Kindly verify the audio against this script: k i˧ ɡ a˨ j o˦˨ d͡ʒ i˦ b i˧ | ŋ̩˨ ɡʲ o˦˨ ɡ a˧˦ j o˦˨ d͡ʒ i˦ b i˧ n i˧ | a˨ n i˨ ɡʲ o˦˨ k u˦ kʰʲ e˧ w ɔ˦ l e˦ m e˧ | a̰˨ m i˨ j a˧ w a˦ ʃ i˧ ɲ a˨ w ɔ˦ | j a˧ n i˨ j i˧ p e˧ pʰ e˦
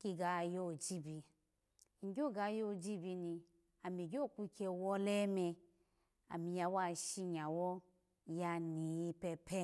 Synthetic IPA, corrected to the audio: k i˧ ɡ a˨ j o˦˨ d͡ʒ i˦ b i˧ | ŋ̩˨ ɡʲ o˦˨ ɡ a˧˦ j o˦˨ d͡ʒ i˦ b i˧ n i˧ | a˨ m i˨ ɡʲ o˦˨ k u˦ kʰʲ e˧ w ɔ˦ l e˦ m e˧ | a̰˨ m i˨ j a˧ w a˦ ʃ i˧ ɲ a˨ w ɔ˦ | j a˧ n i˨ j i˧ p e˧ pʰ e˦